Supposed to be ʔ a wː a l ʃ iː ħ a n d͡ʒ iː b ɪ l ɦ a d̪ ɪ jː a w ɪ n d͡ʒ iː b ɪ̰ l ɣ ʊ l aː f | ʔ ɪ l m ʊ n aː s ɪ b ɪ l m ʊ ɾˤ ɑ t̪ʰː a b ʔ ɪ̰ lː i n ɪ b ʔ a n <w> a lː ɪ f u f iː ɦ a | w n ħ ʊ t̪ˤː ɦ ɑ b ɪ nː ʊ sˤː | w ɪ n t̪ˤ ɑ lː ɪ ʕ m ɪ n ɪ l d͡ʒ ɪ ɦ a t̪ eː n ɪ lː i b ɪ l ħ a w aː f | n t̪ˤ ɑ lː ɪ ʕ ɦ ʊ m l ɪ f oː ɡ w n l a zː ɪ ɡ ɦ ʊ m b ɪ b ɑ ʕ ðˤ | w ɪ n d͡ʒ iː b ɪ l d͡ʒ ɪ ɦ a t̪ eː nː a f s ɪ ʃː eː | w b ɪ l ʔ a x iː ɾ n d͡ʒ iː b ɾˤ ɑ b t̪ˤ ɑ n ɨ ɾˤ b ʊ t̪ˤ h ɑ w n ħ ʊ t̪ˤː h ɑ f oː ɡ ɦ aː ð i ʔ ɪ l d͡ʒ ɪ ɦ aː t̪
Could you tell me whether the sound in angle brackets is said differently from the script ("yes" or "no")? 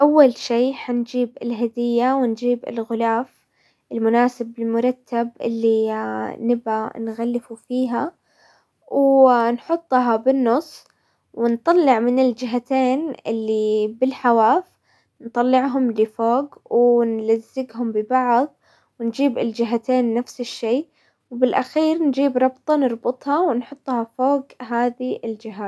yes